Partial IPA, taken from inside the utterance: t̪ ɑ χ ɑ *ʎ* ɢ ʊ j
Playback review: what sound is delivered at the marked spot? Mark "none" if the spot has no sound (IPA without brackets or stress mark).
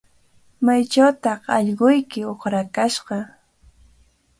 ʎ